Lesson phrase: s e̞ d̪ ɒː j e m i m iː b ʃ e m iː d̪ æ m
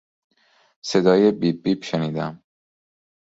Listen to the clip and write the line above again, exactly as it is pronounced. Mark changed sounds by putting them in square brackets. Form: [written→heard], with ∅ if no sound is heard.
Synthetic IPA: s e̞ d̪ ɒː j e [m→b] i [m→b] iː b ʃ e [m→n] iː d̪ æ m